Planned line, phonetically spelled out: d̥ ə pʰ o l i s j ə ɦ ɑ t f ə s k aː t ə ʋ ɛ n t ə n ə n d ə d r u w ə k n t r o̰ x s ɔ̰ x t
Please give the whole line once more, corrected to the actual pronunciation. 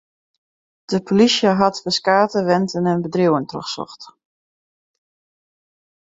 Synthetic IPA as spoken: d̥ ə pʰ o l i s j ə ɦ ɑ t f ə s k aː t ə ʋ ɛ n t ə n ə n b ə d r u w ə n t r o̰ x s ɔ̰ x t